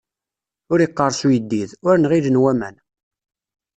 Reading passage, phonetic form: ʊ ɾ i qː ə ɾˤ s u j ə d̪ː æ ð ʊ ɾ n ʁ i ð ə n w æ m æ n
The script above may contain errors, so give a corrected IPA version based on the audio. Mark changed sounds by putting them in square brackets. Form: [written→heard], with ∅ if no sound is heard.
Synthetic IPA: ʊ ɾ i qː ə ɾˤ s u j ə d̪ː [æ→i] ð ʊ ɾ n ʁ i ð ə n w æ m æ n